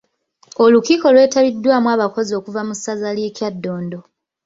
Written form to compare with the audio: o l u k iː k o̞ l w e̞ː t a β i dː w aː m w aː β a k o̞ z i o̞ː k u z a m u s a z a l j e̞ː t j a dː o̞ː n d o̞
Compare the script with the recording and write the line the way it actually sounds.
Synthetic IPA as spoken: o l u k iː k o̞ l w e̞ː t a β i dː w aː m w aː β a k o̞ z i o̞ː k u v a m u s a z a l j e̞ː c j a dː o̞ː n d o̞